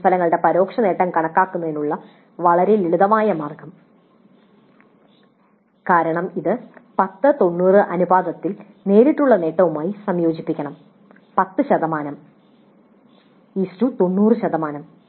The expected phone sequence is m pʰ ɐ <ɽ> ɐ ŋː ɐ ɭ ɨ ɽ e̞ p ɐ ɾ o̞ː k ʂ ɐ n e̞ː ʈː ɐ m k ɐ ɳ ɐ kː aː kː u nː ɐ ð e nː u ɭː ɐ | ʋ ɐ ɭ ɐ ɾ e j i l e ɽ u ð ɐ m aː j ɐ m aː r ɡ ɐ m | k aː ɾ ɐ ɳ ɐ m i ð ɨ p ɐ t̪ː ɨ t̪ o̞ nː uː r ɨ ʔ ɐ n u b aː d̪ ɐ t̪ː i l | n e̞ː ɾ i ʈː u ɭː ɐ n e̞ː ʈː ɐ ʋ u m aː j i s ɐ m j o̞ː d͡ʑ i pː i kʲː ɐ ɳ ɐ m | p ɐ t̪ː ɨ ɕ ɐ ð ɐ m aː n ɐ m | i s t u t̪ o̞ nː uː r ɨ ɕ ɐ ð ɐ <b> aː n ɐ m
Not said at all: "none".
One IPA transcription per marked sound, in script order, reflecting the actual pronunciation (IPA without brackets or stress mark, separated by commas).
l, m